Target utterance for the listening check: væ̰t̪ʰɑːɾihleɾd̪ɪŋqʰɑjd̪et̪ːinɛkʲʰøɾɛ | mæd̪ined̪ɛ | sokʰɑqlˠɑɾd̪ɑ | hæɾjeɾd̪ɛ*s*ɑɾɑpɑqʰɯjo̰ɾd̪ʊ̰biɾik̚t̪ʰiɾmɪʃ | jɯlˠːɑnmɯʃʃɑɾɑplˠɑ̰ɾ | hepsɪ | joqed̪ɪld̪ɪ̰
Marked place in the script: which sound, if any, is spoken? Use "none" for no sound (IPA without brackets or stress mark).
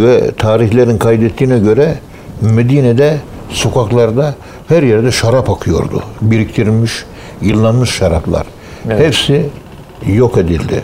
ʃ